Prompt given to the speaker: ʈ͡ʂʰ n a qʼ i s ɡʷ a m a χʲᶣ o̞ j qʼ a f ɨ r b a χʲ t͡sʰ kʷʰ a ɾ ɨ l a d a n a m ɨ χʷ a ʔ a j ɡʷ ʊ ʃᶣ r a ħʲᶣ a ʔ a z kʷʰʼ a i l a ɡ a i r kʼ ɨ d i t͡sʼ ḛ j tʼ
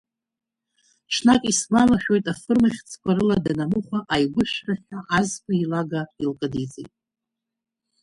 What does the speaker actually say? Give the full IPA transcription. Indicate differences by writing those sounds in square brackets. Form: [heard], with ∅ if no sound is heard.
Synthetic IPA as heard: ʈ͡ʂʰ n a [kʼ] i s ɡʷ a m a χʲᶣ o̞ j [tʼ] a f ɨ r [m] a χʲ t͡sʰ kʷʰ a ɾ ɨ l a d a n a m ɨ χʷ a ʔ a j ɡʷ ʊ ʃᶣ r a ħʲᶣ a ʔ a z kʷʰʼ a i l a ɡ a i [l] kʼ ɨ d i t͡sʼ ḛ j tʼ